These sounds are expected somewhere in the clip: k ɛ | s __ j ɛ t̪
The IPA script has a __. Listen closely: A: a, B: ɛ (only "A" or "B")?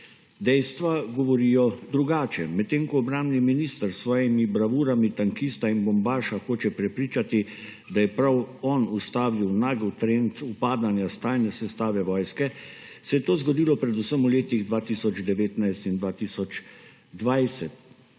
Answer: B